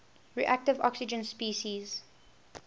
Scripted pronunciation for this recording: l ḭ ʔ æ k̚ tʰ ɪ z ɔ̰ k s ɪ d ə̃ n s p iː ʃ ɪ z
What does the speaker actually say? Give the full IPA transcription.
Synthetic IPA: ɹ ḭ ʔ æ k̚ t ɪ v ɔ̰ k s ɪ d͡ʒ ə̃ n s p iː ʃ i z